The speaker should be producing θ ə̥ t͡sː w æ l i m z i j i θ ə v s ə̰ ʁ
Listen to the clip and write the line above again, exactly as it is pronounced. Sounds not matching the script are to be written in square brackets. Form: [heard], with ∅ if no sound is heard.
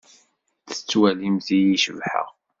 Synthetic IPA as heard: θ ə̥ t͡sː w æ l i m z i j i [ʃ] ə v [ħ] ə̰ ʁ